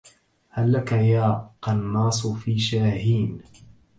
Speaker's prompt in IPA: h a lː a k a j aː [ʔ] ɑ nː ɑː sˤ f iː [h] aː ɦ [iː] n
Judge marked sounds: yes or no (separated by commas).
no, no, yes